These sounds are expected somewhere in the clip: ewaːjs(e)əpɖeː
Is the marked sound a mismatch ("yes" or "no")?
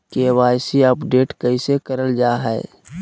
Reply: yes